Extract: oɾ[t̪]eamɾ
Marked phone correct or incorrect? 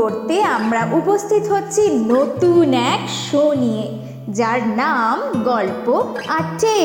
correct